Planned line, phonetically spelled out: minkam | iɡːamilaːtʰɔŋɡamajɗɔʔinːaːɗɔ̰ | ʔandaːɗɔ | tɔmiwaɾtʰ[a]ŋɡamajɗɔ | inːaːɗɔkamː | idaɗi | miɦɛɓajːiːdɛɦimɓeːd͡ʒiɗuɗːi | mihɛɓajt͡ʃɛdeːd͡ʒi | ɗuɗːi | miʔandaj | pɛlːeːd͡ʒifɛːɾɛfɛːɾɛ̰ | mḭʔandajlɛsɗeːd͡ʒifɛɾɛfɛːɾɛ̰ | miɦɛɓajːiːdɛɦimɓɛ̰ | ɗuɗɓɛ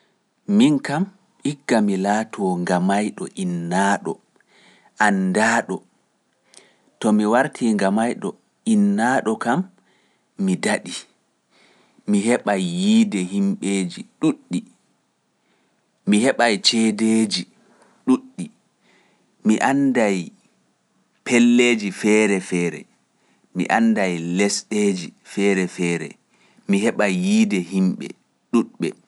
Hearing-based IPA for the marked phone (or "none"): i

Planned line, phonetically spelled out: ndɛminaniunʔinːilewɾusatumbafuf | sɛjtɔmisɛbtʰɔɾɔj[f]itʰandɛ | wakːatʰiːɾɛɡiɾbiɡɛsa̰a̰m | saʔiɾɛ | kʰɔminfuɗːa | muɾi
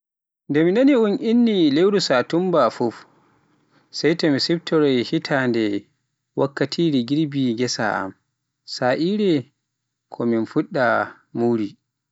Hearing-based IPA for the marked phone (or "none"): h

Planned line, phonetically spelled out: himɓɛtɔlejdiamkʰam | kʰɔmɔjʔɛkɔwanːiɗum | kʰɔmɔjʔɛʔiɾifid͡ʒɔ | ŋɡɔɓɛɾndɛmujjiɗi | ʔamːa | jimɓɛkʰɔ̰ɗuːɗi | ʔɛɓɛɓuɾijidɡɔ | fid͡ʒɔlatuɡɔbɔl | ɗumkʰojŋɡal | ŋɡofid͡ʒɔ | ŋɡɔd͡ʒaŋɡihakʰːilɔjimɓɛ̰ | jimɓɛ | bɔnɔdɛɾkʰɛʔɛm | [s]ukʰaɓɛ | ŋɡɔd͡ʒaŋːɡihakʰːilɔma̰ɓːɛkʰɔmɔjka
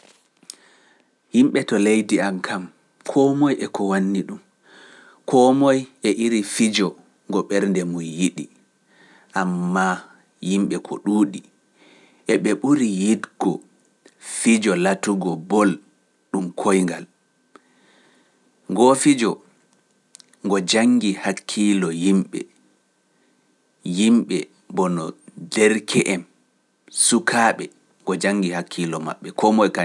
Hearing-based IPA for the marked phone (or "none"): s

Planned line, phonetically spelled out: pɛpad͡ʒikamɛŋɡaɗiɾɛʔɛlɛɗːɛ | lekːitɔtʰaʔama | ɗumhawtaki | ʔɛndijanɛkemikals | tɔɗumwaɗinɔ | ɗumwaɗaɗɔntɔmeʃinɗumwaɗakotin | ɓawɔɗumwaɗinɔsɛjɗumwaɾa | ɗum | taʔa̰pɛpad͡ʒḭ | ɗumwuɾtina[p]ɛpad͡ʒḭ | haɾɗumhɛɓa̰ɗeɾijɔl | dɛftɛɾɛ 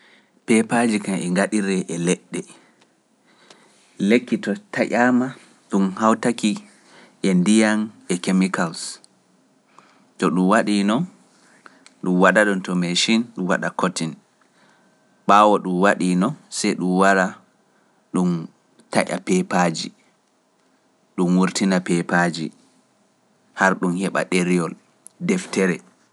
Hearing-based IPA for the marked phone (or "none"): p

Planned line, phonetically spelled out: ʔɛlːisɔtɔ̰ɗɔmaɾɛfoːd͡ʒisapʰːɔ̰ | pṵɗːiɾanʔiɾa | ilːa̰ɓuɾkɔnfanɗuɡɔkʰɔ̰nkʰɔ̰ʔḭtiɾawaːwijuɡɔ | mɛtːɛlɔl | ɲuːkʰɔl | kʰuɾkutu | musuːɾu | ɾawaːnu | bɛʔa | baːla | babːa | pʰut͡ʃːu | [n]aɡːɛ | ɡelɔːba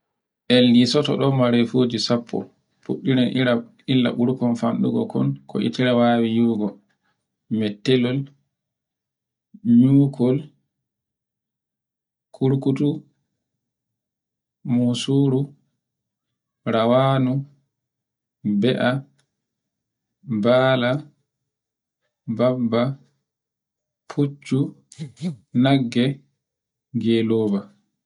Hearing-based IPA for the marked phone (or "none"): n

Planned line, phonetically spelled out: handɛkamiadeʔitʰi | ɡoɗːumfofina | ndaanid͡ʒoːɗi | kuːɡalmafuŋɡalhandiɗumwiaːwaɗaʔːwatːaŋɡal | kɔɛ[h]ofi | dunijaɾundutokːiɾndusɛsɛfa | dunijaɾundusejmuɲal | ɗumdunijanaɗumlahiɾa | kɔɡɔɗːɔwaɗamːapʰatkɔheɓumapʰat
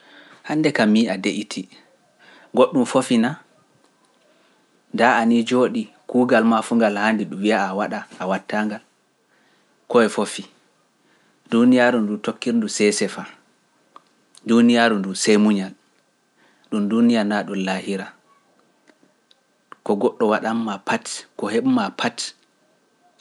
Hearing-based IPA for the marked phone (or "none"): f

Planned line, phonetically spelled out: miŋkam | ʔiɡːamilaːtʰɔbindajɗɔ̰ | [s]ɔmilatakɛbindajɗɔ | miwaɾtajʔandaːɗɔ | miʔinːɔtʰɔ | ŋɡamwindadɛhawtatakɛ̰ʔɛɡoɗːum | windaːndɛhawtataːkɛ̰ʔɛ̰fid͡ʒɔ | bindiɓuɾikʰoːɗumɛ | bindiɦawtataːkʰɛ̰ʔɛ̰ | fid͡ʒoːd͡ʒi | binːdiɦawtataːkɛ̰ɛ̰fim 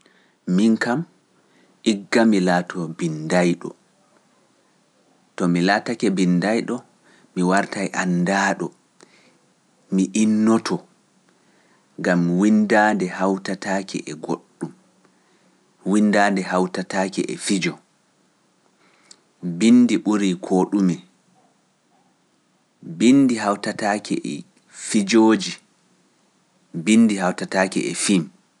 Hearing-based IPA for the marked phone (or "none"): t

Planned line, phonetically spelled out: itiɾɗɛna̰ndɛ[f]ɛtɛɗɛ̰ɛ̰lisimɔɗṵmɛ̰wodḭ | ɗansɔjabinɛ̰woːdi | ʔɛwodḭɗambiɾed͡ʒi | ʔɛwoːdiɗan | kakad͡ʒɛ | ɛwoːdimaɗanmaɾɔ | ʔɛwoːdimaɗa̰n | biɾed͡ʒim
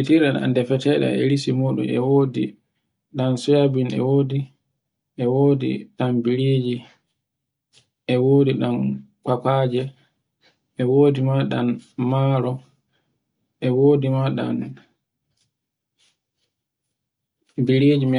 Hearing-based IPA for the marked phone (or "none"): f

